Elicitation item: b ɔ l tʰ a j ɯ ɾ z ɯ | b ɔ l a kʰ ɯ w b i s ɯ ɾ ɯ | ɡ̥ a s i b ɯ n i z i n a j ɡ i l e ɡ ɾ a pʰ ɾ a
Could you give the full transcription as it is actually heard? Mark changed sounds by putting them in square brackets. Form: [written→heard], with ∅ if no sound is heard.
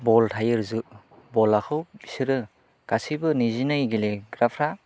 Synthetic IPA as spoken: b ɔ l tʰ a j ɯ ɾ z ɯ | b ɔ l a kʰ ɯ w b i s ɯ ɾ ɯ | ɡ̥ a s i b ɯ n i z i n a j ɡ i l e ɡ ɾ a pʰ ɾ a